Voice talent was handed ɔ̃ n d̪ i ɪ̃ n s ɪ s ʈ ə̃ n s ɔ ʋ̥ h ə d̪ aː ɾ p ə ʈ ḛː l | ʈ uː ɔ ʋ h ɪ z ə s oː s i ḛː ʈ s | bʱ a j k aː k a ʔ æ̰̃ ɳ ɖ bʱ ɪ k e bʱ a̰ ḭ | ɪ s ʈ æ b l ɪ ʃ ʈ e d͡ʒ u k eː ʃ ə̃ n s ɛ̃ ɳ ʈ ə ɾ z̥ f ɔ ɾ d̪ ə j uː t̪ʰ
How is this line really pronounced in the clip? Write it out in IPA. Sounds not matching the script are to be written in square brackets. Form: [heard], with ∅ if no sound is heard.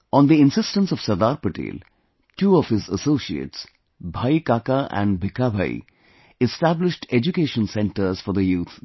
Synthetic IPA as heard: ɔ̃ n d̪ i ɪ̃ n s ɪ s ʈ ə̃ n s ɔ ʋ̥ [s] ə d̪ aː ɾ p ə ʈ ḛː l | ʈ uː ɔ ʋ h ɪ z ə s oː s i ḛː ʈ s | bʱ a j k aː k a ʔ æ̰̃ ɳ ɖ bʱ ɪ k [a] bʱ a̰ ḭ | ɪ s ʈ æ b l ɪ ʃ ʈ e d͡ʒ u k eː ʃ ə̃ n s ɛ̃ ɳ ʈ ə ɾ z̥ f ɔ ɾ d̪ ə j uː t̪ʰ